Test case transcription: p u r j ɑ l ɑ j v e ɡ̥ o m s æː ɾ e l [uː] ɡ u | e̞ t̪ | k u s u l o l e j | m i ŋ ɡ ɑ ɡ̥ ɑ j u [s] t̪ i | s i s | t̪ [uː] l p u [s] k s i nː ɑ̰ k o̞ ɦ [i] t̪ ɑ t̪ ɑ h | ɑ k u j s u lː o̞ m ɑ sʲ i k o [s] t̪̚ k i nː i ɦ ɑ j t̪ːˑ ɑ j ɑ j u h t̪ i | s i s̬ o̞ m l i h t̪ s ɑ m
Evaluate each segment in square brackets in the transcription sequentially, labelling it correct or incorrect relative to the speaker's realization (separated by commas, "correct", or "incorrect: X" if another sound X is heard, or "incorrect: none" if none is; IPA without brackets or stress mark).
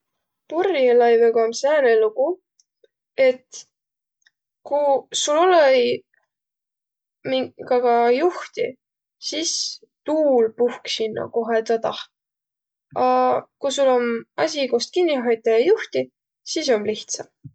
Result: incorrect: u, incorrect: h, correct, incorrect: h, incorrect: e, correct